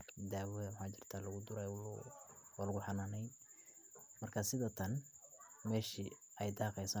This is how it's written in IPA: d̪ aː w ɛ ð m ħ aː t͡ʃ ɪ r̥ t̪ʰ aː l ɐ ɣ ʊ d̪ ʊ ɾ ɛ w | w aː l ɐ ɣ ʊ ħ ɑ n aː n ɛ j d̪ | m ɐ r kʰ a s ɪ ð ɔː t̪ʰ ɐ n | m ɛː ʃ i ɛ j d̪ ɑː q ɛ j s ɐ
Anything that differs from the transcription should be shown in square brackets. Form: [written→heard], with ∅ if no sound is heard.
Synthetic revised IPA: d̪ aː w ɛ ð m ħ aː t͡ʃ ɪ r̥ t̪ʰ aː l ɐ ɣ ʊ d̪ ʊ ɾ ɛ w | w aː l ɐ ɣ ʊ ħ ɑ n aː n ɛ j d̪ | m ɐ r kʰ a s ɪ ð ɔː t̪ʰ ɐ n | m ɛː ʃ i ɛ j d̪ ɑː q ɛ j s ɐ